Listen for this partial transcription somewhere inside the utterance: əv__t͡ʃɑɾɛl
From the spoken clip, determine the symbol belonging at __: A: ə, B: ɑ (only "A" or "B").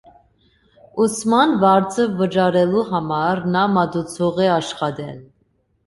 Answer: A